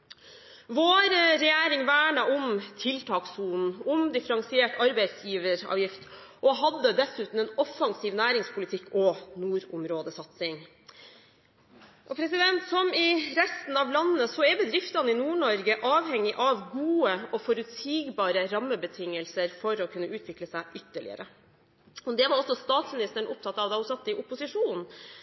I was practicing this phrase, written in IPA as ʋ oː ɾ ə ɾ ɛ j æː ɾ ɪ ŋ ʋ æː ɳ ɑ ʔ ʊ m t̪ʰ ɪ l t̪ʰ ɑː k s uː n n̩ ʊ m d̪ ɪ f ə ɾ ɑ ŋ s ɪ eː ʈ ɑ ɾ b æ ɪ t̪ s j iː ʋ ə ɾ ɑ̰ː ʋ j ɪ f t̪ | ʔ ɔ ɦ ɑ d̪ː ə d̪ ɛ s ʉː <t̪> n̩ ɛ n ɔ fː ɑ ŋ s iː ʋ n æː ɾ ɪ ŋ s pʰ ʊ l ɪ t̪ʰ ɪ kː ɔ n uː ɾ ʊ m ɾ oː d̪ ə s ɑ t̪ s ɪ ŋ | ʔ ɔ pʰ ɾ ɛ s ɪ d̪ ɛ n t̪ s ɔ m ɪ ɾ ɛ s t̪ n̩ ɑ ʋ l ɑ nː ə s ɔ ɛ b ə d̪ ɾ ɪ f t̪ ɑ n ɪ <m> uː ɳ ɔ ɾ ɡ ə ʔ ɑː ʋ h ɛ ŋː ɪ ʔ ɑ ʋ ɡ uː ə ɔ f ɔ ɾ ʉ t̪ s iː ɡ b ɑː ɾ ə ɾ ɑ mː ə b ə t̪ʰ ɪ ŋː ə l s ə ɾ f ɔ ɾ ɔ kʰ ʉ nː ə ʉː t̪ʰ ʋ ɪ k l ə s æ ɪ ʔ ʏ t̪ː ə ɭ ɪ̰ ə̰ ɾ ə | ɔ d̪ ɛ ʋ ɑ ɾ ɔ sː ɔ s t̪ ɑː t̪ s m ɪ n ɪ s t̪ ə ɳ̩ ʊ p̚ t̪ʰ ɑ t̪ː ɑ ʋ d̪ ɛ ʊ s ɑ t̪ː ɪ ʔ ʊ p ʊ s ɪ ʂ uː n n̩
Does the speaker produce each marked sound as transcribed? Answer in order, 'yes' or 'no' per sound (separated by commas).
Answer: yes, no